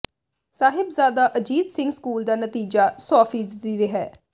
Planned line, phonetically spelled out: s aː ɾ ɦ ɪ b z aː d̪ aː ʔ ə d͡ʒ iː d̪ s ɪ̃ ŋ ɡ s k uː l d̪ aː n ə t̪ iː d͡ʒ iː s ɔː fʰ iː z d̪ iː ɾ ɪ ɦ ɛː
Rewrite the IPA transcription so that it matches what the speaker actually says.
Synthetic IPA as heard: s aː ɦ ɪ b z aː d̪ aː ʔ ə d͡ʒ iː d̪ s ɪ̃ ŋ ɡ s k uː l d̪ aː n ə t̪ iː d͡ʒ aː s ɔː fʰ iː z d̪ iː ɾ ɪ ɦ ɛː

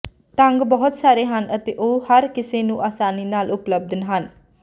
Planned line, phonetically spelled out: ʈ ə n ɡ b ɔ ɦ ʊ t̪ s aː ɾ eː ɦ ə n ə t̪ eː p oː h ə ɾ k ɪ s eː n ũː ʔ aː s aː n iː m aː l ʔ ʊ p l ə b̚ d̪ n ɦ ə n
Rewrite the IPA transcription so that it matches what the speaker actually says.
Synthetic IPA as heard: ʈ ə ŋ ɡ b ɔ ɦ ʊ t̪ s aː ɾ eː ɦ ə n ə t̪ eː ʔ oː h ə ɾ k ɪ s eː n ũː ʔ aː s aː n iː n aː l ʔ ʊ p l ə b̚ d̪ n ɦ ə n

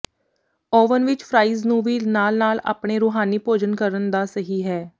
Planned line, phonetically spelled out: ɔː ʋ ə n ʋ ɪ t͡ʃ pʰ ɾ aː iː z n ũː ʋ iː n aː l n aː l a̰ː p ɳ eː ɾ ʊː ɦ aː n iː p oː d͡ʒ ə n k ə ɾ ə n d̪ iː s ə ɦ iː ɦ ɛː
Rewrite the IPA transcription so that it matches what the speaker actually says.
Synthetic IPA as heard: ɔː ʋ ə n ʋ ɪ t͡ʃ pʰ ɾ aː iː z n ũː ʋ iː n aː l n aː l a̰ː p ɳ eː ɾ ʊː ɦ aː n iː p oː d͡ʒ ə n k ə ɾ ə n d̪ aː s ə ɦ iː ɦ ɛː

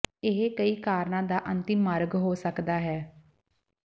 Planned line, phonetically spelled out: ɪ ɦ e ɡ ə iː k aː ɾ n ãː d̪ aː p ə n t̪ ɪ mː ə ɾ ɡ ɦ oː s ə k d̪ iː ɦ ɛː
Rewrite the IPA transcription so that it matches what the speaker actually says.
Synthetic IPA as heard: ɪ ɦ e k ə iː k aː ɾ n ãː d̪ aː ʔ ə n t̪ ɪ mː ə ɾ ɡ ɦ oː s ə k d̪ aː ɦ ɛː

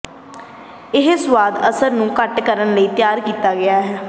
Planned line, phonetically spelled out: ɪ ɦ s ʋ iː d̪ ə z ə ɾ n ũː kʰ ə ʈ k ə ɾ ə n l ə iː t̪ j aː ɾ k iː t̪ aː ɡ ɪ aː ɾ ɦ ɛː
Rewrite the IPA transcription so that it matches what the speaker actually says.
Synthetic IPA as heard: ɪ ɦ s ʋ aː d̪ ə s ə ɾ n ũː k ə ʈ k ə ɾ ə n l ə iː t̪ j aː ɾ k iː t̪ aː ɡ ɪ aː ɦ ɛː

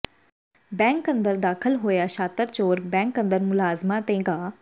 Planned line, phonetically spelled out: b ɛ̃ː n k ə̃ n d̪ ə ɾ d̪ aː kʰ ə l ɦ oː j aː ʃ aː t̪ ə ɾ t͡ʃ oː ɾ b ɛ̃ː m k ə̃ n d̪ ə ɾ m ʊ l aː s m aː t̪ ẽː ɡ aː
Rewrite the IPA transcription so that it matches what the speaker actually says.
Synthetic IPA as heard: b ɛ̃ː ŋ k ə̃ n d̪ ə ɾ d̪ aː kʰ ə l ɦ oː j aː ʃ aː t̪ ə ɾ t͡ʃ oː ɾ b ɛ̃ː ŋ k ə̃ n d̪ ə ɾ m ʊ l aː z m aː t̪ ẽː ɡ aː

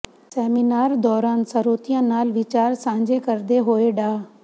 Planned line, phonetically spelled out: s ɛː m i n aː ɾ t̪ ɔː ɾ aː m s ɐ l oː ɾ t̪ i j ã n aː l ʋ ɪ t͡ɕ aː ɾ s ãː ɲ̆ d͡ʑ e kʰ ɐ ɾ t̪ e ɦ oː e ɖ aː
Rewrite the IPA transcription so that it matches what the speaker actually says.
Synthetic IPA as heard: s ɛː m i n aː ɾ d̪ ɔː ɾ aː n s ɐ ɾ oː t̪ i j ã n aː l ʋ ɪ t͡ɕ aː ɾ s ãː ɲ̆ d͡ʑ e k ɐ ɾ d̪ e ɦ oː e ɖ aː

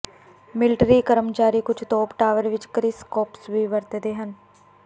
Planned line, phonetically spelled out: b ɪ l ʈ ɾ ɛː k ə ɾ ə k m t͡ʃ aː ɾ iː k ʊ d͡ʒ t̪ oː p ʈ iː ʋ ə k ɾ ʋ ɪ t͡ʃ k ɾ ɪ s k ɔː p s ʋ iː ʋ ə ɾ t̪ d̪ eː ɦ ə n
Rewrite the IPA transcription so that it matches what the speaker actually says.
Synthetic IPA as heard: m ɪ l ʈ ɾ iː k ə ɾ ə m t͡ʃ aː ɾ iː k ʊ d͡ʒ t̪ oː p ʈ aː ʋ ə ɾ ʋ ɪ t͡ʃ k ɾ ɪ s k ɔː p s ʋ iː ʋ ə ɾ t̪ d̪ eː ɦ ə n

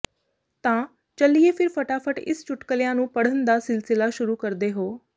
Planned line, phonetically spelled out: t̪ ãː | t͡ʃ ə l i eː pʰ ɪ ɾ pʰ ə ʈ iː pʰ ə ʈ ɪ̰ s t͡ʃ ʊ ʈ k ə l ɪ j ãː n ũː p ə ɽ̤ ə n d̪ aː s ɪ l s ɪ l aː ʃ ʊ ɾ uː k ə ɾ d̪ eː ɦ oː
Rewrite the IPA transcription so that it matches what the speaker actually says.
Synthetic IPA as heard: t̪ ãː | t͡ʃ ə l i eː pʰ ɪ ɾ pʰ ə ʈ aː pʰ ə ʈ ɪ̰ s t͡ʃ ʊ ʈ k ə l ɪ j ãː n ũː p ə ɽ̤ ə n d̪ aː s ɪ l s ɪ l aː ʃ ʊ ɾ uː k ə ɾ d̪ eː ɦ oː

